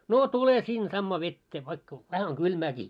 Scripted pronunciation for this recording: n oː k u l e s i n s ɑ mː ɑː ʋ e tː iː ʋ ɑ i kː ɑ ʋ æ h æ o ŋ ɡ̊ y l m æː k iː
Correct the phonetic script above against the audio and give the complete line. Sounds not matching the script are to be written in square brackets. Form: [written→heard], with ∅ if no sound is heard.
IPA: n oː [k→t] u l e s i n s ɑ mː ɑː ʋ e tː [iː→eː] ʋ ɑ i kː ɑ ʋ æ h æ o ŋ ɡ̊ y l m æː k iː